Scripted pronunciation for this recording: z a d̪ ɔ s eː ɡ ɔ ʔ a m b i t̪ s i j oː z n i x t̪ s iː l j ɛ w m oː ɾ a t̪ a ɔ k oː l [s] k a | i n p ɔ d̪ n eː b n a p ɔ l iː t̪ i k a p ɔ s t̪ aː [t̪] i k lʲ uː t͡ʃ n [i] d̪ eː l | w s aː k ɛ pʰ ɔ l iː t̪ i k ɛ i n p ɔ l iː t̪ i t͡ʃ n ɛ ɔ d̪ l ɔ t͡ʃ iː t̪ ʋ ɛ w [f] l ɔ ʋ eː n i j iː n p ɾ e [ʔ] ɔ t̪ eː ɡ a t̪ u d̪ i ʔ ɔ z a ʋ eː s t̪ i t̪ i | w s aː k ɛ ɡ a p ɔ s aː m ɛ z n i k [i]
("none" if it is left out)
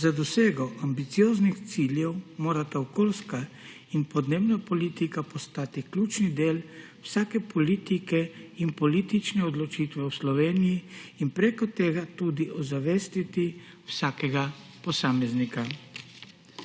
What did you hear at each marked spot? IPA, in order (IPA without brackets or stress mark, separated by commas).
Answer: s, t̪, i, s, k, a